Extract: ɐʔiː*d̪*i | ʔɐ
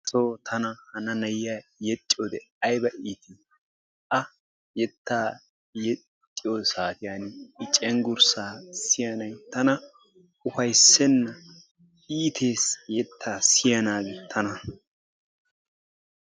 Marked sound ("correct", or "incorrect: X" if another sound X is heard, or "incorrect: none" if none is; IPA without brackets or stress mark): incorrect: t̪